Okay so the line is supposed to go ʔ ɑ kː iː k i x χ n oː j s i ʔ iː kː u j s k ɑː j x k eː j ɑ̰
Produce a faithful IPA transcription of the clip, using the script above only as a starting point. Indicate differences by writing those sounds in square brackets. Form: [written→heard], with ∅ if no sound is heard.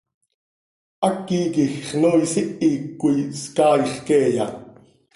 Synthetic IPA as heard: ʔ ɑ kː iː k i x χ n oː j s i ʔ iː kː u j s k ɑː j [x→χ] k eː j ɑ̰